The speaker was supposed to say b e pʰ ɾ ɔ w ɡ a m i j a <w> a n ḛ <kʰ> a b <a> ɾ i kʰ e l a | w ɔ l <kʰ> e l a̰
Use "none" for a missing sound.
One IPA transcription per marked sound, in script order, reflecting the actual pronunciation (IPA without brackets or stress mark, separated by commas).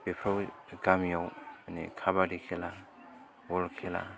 w, kʰ, a, kʰ